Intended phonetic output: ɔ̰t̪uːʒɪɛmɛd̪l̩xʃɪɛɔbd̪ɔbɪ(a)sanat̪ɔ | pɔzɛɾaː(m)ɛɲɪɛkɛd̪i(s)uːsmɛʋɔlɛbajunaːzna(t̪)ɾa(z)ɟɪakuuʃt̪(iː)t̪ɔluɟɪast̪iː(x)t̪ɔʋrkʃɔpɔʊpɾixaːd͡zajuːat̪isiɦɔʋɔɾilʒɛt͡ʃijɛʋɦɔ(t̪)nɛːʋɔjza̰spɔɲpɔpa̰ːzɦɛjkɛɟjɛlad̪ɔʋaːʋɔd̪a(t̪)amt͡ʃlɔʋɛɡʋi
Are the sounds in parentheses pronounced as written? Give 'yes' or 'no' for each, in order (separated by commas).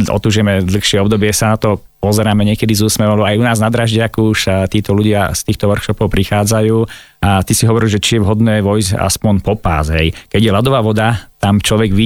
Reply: no, yes, no, no, no, yes, yes, no, yes